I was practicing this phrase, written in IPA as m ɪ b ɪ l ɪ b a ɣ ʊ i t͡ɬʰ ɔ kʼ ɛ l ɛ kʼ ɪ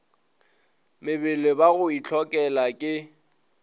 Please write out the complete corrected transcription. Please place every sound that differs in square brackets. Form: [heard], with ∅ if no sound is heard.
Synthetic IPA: m ɪ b ɪ l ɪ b a ɣ ʊ i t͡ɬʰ ɔ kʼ ɛ l [a] kʼ ɪ